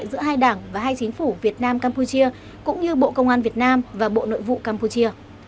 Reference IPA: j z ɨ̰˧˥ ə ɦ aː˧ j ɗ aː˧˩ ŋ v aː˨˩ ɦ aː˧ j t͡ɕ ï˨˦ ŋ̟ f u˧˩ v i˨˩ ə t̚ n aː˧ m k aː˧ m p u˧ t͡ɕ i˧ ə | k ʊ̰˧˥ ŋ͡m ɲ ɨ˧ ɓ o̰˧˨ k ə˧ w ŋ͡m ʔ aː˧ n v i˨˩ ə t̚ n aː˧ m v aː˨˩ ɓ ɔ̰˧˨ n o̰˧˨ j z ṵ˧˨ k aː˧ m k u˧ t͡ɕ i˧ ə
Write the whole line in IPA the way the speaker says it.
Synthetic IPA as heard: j z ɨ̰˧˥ ə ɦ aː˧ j ɗ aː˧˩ ŋ v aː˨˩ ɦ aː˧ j t͡ɕ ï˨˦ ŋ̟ f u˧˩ v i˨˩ ə t̚ n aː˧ m k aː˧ m p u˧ t͡ɕ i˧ ə | k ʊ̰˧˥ ŋ͡m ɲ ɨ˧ ɓ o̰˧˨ k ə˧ w ŋ͡m ʔ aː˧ n v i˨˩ ə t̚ n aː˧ m v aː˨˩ ɓ o̰˧˨ n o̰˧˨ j v ṵ˧˨ k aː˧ m p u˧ t͡ɕ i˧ ə